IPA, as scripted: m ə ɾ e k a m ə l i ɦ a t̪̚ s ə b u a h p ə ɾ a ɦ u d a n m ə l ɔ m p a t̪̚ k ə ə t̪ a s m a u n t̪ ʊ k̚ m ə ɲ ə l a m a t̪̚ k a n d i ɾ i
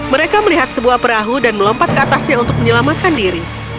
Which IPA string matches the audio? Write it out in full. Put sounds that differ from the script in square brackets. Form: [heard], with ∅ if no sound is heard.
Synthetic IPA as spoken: m ə ɾ e k a m ə l i ɦ a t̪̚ s ə b u a h p ə ɾ a ɦ u d a n m ə l ɔ m p a t̪̚ k ə [a] t̪ a s [ɲ] a u n t̪ ʊ k̚ m ə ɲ ə l a m a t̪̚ k a n d i ɾ i